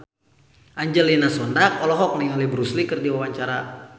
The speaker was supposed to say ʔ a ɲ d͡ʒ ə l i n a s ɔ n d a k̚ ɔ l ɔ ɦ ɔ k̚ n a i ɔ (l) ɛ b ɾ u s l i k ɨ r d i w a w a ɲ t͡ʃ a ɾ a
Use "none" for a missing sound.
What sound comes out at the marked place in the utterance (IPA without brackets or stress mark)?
l